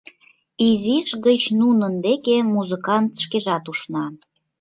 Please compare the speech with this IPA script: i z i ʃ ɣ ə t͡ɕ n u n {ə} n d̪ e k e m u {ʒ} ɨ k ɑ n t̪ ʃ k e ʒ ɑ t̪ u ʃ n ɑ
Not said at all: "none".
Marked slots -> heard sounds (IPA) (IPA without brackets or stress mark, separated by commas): ə, z